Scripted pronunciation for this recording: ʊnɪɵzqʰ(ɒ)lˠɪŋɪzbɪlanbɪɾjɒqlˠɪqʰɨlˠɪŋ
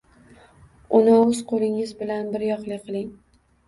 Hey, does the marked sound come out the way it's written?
no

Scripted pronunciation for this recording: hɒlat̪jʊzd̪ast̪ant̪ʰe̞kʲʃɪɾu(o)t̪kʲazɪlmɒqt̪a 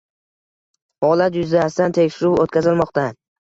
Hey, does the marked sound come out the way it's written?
yes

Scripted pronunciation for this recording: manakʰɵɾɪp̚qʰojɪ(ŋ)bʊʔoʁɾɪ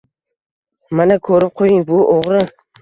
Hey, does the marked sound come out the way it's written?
yes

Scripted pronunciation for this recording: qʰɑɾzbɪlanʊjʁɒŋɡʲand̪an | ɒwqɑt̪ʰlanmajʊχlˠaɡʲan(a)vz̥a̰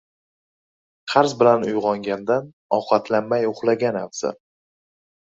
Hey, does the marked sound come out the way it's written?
yes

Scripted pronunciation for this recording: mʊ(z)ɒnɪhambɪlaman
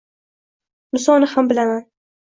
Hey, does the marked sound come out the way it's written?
no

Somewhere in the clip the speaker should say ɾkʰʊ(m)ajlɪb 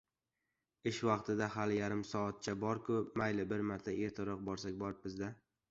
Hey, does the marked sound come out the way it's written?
yes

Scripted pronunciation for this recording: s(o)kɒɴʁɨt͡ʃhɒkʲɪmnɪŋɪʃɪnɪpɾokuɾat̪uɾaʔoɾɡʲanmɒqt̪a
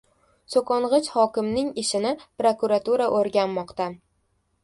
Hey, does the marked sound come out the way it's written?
yes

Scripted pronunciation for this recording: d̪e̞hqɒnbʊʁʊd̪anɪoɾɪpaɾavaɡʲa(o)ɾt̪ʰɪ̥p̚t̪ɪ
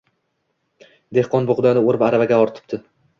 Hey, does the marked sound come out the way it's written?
no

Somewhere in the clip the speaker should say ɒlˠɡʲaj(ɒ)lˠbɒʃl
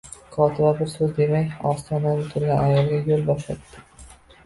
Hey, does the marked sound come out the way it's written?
no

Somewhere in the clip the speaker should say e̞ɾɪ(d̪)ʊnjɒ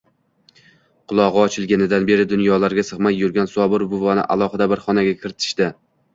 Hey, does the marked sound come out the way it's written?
yes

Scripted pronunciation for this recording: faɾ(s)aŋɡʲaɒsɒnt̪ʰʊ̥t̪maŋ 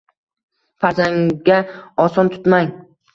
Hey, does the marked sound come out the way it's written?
no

